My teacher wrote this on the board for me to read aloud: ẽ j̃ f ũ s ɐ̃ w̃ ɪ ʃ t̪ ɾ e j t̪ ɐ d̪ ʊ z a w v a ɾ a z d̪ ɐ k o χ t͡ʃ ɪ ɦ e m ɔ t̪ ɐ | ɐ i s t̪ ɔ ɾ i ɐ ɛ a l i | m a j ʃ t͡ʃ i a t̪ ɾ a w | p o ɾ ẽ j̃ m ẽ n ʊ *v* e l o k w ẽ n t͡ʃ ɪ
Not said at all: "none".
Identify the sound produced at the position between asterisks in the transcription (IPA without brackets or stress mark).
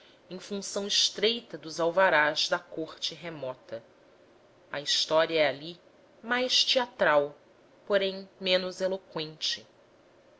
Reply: z